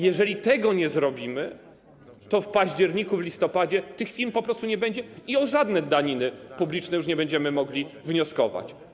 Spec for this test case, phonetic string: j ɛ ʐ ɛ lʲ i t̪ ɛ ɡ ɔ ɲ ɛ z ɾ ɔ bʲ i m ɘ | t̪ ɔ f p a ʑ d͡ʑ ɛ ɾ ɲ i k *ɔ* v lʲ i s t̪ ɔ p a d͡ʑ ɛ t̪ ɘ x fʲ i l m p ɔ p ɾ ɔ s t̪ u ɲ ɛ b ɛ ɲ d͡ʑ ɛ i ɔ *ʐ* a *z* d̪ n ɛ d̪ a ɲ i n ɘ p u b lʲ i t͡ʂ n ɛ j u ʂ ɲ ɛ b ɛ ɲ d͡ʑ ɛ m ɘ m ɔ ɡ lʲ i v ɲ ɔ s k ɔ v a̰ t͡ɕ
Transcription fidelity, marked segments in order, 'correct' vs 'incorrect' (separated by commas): incorrect, correct, incorrect